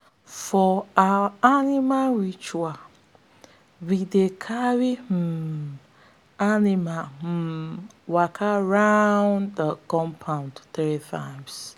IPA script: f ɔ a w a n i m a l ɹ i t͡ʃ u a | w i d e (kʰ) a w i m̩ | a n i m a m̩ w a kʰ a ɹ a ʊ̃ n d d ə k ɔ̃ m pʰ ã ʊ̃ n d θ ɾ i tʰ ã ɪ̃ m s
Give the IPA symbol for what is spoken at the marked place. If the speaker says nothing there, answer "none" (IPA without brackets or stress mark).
kʰ